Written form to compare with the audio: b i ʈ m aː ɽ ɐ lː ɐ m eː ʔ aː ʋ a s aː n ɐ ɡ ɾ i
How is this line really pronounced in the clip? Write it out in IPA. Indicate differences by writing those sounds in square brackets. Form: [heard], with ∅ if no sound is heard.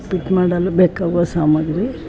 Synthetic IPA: [p] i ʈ m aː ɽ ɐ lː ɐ [b] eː [k] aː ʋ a s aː [m] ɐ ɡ ɾ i